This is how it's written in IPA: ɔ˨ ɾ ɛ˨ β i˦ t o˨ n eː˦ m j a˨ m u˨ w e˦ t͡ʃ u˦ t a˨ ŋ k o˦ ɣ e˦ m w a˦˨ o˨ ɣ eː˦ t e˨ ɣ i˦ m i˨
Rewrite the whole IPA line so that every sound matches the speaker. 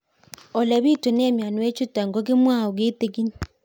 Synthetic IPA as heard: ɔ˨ l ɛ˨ β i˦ t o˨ n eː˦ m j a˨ n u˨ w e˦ t͡ʃ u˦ t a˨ ŋ ɡ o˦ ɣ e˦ m w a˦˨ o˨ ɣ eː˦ t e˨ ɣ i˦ ɲ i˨